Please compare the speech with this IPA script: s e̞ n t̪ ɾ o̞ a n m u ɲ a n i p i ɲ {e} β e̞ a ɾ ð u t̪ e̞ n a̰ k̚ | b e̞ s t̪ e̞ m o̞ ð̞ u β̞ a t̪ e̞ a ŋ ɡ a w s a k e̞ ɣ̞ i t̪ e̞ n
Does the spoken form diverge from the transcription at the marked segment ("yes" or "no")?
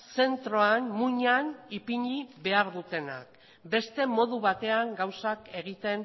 yes